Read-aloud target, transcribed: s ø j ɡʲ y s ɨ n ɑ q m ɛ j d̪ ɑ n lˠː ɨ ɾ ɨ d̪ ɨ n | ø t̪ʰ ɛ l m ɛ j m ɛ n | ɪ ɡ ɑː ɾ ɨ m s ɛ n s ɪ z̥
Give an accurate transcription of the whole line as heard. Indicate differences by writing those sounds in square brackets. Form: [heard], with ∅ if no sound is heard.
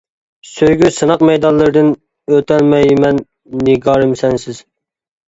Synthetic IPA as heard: s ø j ɡʲ y s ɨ n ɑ q m ɛ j d̪ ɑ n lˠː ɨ ɾ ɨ d̪ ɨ n | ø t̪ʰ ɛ l m ɛ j m ɛ [nː] | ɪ ɡ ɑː ɾ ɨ m s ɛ n s ɪ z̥